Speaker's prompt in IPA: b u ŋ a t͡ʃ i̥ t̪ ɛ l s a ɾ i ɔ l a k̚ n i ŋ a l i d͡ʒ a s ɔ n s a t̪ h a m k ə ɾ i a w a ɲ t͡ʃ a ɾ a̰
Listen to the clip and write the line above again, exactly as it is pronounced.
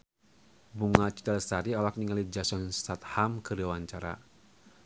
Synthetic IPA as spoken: b u ŋ a t͡ʃ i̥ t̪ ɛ l s a ɾ i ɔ l a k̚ n i ŋ a l i d͡ʒ a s ɔ n s a t̪ h a m k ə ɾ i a w a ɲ t͡ʃ a ɾ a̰